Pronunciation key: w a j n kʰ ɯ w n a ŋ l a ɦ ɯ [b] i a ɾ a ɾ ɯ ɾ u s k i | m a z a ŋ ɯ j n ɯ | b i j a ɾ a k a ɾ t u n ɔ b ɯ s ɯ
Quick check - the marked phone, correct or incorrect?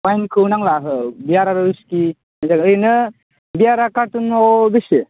correct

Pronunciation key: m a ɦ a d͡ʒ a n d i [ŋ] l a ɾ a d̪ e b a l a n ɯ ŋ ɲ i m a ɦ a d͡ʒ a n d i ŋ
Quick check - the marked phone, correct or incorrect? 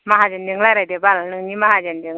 correct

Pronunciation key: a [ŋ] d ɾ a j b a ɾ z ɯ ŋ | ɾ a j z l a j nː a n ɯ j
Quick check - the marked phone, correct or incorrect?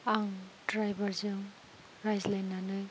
correct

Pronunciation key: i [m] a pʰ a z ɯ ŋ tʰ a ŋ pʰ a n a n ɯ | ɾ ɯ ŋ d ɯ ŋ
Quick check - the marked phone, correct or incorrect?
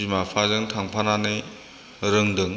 correct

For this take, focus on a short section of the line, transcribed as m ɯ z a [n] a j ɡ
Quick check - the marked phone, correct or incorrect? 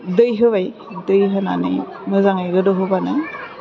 incorrect: ŋ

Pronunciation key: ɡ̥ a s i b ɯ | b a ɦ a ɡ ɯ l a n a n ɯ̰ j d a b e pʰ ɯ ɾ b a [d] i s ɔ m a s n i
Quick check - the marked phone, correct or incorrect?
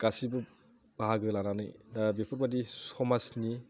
correct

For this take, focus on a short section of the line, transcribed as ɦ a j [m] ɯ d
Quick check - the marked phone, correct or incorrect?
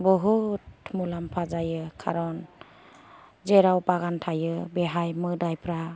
correct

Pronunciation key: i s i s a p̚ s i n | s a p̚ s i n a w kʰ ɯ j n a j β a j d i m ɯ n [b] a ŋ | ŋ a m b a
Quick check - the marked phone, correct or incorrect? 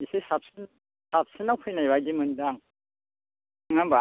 incorrect: d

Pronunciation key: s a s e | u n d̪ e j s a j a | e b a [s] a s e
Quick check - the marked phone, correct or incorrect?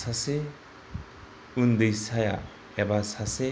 correct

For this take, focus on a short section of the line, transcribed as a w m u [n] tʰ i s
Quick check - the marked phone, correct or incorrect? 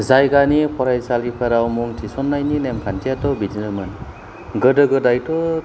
incorrect: ŋ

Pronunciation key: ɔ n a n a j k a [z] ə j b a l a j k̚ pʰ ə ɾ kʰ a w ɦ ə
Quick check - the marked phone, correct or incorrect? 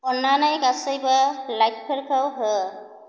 incorrect: s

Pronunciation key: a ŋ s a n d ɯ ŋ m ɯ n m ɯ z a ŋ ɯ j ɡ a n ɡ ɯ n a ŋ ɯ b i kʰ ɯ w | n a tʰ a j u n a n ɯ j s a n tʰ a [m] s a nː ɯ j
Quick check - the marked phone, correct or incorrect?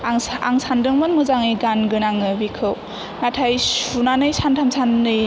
correct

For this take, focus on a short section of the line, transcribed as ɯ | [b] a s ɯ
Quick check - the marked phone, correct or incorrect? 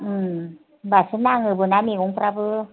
correct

